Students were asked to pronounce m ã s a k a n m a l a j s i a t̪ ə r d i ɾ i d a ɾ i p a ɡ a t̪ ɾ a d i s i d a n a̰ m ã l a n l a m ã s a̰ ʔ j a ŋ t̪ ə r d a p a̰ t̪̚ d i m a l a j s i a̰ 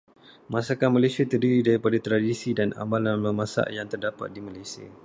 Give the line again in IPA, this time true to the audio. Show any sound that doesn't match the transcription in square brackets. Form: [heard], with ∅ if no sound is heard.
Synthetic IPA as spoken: m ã s a k a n m a l a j s i a t̪ ə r d i ɾ i d a ɾ i p a [d] a t̪ ɾ a d i s i d a n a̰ m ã l a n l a m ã s a̰ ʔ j a ŋ t̪ ə r d a p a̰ t̪̚ d i m a l a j s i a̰